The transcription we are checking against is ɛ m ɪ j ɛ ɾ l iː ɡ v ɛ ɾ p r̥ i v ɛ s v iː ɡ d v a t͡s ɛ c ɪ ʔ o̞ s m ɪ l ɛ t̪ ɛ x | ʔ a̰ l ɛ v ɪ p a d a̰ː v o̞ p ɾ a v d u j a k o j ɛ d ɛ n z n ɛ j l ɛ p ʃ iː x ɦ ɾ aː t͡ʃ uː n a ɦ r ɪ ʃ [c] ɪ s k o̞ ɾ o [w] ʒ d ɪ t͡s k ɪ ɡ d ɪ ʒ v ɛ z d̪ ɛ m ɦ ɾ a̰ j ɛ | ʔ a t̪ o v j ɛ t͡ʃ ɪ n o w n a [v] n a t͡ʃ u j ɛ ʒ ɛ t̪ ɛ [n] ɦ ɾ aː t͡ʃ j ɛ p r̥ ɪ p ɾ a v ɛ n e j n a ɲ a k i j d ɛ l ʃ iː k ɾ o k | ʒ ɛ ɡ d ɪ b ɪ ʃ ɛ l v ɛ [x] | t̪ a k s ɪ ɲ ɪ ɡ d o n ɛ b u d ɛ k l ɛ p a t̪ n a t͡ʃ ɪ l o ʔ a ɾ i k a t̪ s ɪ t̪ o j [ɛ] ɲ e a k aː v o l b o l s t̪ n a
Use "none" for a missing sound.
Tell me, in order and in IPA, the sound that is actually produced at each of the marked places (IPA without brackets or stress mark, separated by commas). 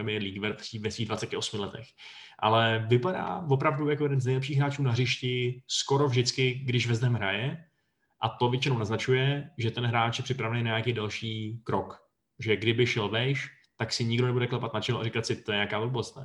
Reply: c, v, z, n, ʃ, ɛ